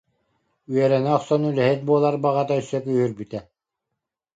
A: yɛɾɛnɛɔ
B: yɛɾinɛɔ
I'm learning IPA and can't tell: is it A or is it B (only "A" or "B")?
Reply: A